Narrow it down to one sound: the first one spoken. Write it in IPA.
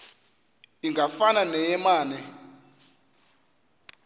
i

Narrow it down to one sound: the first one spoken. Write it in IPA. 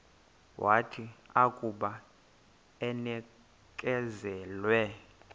w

